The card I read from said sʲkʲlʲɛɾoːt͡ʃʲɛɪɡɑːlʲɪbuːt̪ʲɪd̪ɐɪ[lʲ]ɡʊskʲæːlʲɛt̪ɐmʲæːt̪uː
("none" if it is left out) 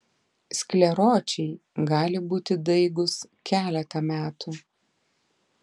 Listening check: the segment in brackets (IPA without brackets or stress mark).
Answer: none